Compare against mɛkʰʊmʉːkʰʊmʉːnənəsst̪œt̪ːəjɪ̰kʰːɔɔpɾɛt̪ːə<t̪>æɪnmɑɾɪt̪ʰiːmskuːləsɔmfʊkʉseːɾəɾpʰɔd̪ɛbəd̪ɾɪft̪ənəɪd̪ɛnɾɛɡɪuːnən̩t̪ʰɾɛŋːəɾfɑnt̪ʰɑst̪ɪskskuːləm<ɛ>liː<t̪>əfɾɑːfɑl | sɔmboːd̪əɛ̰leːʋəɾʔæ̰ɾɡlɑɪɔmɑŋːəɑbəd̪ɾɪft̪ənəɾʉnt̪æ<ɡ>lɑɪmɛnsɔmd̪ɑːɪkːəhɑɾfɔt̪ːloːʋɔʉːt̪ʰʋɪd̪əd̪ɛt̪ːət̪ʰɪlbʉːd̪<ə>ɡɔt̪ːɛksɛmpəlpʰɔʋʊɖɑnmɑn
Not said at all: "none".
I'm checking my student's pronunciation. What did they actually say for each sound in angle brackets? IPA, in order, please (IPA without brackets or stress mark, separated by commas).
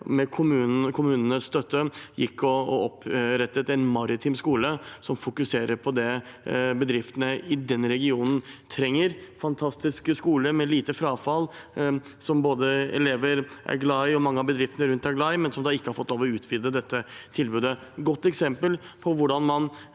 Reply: t̪, ɛ, t̪, ɡ, ə